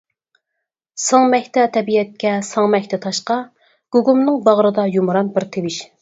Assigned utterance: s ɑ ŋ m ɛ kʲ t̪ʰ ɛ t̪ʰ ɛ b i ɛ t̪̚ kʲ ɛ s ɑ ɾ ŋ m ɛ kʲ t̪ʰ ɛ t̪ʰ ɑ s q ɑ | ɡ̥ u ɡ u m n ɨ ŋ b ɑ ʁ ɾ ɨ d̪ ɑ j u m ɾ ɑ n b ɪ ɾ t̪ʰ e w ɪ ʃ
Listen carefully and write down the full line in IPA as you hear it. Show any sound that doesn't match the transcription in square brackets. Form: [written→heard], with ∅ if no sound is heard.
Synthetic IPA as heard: s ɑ ŋ m ɛ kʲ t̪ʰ ɛ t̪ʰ ɛ b i ɛ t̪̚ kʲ ɛ s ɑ [ɾ→∅] ŋ m ɛ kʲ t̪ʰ ɛ t̪ʰ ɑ [s→ʃ] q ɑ | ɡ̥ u ɡ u m n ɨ ŋ b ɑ ʁ ɾ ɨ d̪ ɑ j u m ɾ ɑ n b ɪ ɾ t̪ʰ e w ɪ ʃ